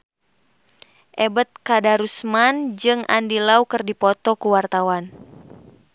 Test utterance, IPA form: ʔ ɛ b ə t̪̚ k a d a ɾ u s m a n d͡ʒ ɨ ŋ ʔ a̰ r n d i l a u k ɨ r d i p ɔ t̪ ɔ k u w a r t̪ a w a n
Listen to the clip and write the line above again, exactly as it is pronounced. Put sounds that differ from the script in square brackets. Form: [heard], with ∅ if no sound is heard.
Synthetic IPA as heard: ʔ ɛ b ə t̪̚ k a d a ɾ u s m a n d͡ʒ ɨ ŋ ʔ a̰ [∅] n d i l a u k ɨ r d i p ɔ t̪ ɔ k u w a r t̪ a w a n